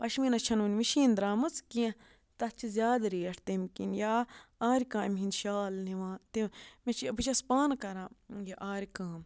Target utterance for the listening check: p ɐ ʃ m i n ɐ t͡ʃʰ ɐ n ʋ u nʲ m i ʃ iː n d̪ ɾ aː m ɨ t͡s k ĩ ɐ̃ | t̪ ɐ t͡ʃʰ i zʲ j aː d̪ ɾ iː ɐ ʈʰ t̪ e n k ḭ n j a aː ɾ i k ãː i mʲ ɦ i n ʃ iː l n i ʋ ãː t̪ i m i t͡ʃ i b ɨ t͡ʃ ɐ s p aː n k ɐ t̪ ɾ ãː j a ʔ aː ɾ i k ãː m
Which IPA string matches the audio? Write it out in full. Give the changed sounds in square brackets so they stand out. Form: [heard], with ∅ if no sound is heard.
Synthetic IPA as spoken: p ɐ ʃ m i n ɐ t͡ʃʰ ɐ n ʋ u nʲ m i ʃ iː n d̪ ɾ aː m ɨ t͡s k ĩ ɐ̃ | t̪ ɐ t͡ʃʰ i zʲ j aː d̪ ɾ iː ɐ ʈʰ t̪ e [m] k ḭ n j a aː ɾ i k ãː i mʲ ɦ i n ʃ [aː] l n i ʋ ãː t̪ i m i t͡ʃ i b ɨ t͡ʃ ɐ s p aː n k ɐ [∅] ɾ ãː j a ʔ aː ɾ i k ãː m